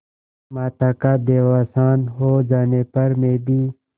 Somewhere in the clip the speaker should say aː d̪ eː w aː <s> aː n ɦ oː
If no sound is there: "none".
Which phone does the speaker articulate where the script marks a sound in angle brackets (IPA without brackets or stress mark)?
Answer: s